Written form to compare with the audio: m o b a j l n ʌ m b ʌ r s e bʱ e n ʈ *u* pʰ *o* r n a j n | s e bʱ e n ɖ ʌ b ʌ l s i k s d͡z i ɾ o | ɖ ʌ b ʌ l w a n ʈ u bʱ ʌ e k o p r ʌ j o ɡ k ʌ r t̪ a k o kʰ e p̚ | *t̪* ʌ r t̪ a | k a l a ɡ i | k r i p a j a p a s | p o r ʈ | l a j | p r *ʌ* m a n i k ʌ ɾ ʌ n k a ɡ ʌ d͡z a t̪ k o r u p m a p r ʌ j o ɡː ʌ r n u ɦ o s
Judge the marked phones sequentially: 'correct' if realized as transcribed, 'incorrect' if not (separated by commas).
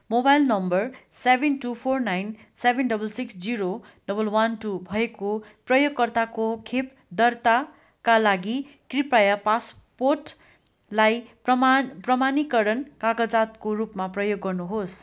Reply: correct, correct, incorrect, correct